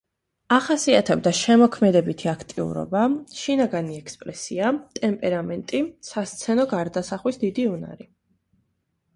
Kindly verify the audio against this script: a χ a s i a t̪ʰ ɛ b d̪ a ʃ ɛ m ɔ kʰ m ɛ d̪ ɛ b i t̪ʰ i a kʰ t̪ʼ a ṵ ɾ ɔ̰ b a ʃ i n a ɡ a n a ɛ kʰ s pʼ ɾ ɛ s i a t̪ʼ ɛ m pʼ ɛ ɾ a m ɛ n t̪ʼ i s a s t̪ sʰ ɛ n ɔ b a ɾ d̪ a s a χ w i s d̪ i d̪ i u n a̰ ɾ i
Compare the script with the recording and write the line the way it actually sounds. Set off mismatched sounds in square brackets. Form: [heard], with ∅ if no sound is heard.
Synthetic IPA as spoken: a χ a s i a t̪ʰ ɛ b d̪ a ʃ ɛ m ɔ kʰ m ɛ d̪ ɛ b i t̪ʰ i a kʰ t̪ʼ [i] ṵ ɾ ɔ̰ b a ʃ i n a ɡ a n [i] ɛ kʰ s pʼ ɾ ɛ s i a t̪ʼ ɛ m pʼ ɛ ɾ a m ɛ n t̪ʼ i s a s t̪ sʰ ɛ n ɔ [ɡ] a ɾ d̪ a s a χ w i s d̪ i d̪ i u n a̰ ɾ i